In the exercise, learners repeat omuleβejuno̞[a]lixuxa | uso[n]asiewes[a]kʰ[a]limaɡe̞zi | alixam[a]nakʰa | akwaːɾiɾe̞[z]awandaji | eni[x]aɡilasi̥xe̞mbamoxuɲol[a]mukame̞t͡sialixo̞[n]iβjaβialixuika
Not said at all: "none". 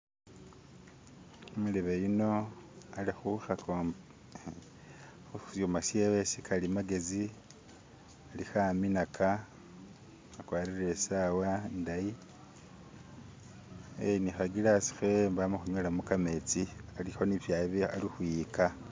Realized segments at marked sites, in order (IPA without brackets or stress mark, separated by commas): a, m, i, a, i, s, x, a, n